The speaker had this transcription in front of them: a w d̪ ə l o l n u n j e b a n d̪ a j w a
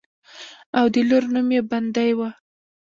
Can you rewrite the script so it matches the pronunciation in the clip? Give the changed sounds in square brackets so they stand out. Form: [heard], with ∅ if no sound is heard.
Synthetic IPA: a w d̪ ə l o [ɾ] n u [m] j e b a n d̪ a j w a